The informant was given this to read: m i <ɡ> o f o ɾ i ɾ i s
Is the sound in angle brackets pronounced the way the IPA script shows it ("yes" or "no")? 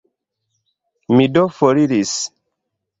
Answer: no